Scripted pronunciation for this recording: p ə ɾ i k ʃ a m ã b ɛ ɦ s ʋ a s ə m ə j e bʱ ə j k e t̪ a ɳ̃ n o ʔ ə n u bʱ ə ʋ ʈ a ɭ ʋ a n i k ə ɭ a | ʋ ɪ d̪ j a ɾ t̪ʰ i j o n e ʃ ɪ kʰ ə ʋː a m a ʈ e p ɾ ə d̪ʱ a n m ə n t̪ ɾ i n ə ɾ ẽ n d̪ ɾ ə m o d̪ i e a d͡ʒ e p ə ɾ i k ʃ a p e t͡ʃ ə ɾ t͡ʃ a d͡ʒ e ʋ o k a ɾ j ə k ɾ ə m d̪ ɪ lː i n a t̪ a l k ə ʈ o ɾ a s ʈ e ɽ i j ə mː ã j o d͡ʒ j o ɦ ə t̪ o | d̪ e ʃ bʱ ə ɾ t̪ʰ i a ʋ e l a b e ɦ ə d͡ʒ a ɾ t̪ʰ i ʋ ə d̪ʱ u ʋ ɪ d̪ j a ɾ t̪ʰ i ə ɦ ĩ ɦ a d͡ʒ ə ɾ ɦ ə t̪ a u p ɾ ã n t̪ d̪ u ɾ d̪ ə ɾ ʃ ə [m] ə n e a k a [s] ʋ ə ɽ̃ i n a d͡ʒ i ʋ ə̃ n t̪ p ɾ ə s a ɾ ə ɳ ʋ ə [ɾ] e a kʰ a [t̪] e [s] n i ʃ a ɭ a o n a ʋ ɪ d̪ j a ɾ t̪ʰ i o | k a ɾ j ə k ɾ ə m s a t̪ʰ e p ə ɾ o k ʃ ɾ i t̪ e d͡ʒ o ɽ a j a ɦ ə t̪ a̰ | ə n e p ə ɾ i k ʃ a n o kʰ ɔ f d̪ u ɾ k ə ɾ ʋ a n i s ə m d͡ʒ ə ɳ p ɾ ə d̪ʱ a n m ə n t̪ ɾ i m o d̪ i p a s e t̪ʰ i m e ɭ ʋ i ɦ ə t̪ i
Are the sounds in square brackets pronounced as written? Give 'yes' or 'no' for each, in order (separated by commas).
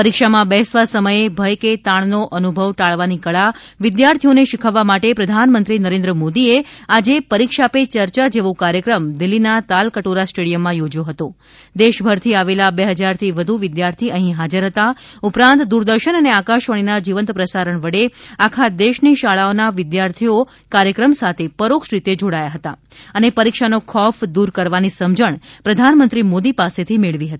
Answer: no, no, no, no, no